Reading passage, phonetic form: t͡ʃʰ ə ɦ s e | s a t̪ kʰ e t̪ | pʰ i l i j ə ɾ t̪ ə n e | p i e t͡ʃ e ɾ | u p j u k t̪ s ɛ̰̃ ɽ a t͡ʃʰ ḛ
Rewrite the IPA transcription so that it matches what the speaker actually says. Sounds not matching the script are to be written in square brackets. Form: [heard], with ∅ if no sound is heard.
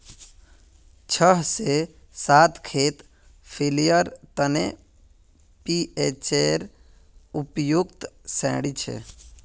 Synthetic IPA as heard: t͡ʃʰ ə ɦ s e | s a t̪ kʰ e t̪ | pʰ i l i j ə ɾ t̪ ə n e | p i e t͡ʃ e ɾ | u p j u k t̪ s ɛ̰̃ ɽ [i] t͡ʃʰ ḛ